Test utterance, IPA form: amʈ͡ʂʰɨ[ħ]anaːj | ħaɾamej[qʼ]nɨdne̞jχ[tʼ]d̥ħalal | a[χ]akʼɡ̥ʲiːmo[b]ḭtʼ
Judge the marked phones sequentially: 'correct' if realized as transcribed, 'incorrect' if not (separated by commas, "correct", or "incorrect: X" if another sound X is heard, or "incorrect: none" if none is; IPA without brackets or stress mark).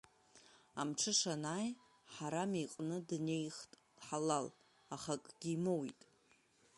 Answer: incorrect: ʂ, correct, correct, correct, incorrect: w